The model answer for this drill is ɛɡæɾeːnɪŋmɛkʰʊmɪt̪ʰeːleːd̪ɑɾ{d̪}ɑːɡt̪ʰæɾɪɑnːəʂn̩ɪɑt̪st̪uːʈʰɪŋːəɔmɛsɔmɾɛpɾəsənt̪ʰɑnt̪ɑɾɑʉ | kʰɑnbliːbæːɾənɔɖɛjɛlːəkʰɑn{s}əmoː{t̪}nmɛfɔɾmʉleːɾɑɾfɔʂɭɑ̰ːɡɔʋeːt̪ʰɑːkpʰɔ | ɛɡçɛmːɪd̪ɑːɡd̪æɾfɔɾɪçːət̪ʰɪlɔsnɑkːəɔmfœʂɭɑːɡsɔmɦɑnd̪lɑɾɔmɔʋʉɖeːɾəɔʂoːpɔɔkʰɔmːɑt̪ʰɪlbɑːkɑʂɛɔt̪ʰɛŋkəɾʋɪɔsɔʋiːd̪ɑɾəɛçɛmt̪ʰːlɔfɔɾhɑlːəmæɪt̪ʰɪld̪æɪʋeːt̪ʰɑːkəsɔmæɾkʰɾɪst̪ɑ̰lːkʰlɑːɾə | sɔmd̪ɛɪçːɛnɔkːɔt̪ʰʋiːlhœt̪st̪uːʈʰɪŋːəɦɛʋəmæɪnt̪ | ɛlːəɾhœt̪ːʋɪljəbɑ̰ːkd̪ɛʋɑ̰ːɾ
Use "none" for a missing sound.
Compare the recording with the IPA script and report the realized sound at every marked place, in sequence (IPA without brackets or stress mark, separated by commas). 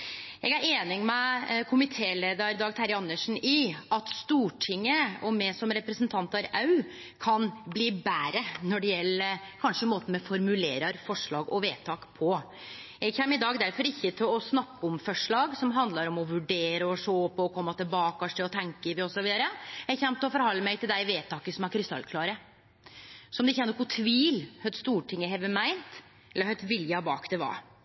d̪, ʂ, t̪